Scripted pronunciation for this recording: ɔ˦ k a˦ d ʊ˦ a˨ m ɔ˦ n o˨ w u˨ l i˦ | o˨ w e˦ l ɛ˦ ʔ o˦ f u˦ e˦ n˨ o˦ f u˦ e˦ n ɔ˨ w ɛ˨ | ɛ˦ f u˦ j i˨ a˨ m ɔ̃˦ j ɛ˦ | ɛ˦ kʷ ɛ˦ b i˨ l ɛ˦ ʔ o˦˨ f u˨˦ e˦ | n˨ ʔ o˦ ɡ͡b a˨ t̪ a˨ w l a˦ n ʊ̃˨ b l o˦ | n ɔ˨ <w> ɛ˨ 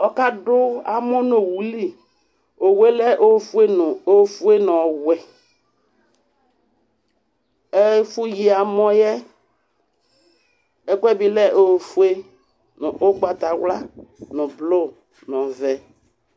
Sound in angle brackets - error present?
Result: yes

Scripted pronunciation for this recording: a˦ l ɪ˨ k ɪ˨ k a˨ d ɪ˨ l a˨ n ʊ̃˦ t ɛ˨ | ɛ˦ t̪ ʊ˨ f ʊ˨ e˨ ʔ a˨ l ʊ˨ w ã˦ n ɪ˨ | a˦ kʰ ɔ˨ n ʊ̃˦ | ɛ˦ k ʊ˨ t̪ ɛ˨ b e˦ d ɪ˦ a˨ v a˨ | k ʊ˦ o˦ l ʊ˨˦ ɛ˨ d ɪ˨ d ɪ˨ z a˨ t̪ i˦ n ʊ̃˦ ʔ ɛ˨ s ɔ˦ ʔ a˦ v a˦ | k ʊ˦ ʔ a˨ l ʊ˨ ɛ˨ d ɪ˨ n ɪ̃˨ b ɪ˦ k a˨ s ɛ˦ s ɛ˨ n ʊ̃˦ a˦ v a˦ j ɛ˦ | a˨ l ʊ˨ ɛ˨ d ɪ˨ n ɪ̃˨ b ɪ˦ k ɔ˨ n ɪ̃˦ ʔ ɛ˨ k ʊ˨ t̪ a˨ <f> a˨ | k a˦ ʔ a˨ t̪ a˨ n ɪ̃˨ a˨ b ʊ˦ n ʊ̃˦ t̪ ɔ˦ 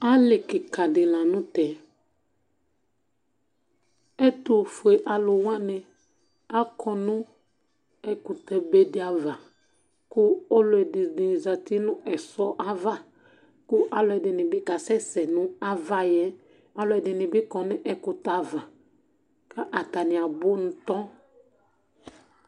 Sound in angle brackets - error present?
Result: yes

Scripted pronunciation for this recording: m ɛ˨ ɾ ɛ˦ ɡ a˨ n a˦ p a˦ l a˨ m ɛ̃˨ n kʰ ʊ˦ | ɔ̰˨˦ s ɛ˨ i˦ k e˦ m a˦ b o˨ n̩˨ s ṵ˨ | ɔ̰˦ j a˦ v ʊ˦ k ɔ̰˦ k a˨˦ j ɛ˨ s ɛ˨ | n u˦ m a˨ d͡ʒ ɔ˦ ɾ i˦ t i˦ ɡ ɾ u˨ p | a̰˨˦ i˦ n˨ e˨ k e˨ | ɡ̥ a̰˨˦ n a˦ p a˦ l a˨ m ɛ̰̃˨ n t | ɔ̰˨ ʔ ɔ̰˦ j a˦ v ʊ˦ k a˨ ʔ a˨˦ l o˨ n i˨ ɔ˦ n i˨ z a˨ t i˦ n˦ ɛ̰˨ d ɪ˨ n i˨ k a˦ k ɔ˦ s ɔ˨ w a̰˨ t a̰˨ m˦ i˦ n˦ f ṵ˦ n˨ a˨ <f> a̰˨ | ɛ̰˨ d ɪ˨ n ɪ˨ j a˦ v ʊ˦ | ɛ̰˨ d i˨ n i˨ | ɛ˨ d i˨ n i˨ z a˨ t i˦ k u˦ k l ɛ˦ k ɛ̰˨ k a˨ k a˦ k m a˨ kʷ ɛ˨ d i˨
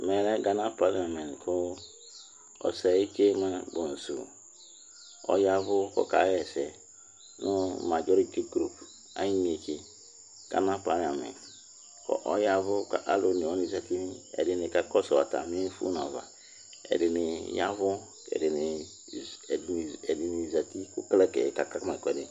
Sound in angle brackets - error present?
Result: yes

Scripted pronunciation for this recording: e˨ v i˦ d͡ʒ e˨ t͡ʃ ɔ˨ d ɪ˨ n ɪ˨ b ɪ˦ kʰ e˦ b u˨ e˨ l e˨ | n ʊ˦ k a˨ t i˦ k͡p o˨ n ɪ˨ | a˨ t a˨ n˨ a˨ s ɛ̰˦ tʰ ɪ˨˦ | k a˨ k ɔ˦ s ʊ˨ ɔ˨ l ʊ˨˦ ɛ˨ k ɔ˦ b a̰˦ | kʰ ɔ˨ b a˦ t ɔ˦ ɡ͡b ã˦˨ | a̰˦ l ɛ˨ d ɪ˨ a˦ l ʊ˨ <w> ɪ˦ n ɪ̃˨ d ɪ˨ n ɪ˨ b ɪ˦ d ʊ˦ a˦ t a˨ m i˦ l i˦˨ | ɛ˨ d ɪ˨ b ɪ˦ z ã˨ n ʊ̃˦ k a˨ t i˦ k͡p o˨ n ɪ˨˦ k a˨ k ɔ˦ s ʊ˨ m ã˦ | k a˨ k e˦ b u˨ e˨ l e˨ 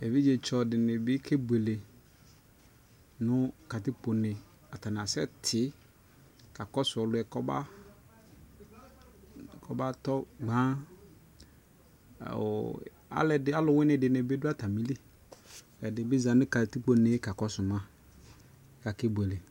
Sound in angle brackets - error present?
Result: no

